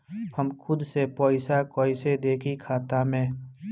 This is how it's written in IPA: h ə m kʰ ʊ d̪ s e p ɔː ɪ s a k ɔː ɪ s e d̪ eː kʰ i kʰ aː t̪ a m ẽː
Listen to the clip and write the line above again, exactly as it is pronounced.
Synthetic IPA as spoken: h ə m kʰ ʊ d̪ s e p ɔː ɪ s a k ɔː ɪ s e d̪ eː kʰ i kʰ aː t̪ a m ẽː